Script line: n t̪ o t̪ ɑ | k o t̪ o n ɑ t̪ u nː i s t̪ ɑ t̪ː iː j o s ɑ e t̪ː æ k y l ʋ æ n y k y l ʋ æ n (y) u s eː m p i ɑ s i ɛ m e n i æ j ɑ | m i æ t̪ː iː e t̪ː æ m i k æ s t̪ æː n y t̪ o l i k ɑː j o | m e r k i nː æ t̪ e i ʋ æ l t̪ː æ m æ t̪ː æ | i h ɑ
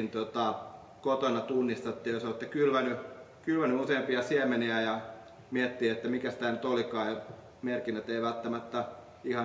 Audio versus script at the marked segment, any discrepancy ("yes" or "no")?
no